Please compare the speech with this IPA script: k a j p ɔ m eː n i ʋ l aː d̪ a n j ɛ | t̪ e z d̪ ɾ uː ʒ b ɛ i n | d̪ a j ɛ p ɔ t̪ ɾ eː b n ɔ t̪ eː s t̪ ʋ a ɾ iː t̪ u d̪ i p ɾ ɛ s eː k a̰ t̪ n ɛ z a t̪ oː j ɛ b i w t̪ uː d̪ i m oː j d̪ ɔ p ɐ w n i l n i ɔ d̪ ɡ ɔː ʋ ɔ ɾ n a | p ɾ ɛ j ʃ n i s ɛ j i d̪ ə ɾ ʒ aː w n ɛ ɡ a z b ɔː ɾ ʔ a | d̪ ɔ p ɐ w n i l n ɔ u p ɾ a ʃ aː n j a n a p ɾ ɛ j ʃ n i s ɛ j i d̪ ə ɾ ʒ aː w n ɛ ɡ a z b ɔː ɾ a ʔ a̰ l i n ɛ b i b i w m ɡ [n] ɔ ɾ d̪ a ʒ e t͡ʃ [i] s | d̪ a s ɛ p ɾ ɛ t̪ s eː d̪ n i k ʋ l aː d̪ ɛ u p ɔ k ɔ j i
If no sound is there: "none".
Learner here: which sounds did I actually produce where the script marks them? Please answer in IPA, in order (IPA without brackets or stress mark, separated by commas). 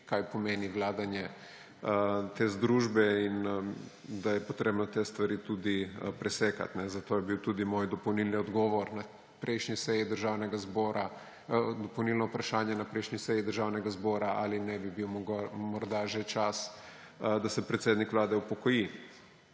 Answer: m, a